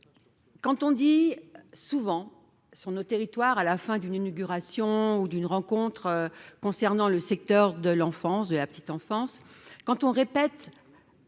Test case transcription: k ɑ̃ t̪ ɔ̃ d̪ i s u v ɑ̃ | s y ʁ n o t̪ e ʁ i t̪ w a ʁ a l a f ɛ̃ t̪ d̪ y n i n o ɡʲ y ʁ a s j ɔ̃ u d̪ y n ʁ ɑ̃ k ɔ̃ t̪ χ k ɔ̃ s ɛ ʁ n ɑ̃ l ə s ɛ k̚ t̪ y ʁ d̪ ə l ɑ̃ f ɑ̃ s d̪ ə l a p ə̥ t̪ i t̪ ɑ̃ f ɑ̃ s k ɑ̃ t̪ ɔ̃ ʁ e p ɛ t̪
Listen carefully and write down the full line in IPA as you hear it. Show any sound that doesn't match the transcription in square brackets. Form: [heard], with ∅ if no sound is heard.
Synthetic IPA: k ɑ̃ t̪ ɔ̃ d̪ i s u v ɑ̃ | s y ʁ n o t̪ e ʁ i t̪ w a ʁ a l a f ɛ̃ [∅] d̪ y n i n o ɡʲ y ʁ a s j ɔ̃ u d̪ y n ʁ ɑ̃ k ɔ̃ t̪ χ k ɔ̃ s ɛ ʁ n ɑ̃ l ə s ɛ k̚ t̪ [œ] ʁ d̪ ə l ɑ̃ f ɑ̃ s d̪ ə l a p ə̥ t̪ i t̪ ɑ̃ f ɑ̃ s k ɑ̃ t̪ ɔ̃ ʁ e p ɛ t̪